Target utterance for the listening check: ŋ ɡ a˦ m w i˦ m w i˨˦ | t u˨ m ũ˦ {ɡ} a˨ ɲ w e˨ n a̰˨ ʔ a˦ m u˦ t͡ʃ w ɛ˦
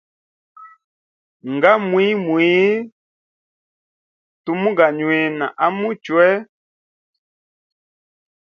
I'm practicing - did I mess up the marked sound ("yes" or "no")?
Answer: no